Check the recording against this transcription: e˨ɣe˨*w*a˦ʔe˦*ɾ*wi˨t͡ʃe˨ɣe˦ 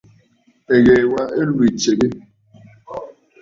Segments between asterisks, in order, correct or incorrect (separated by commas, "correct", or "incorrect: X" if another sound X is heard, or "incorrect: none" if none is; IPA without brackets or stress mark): correct, incorrect: l